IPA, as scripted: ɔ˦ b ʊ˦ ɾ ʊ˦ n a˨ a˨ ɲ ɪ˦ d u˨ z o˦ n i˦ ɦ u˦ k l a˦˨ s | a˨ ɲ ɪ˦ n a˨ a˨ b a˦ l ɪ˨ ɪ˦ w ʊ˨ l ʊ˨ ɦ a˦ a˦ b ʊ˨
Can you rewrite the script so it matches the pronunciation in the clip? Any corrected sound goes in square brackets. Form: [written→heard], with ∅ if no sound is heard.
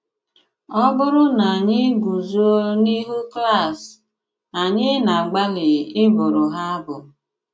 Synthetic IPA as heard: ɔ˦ b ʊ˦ ɾ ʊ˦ n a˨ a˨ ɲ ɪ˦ [d→ɡ] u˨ z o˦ n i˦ ɦ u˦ k l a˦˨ s | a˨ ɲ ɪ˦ n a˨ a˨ [b→ɡ͡b] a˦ l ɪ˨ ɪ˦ [w→b] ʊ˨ [l→ɾ] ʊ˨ ɦ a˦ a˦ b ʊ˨